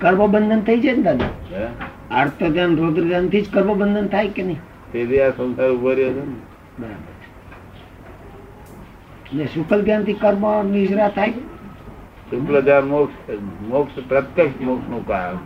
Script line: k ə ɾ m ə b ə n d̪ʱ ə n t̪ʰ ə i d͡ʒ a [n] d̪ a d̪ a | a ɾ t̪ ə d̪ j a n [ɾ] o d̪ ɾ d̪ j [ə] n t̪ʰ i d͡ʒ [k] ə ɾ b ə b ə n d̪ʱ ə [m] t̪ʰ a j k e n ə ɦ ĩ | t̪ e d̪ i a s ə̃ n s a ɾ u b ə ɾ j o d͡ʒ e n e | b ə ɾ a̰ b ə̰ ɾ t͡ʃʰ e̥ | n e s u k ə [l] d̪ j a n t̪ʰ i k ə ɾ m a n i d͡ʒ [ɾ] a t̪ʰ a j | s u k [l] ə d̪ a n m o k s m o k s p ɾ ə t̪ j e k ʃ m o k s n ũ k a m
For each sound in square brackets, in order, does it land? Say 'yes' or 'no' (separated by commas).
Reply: yes, yes, no, yes, no, yes, yes, yes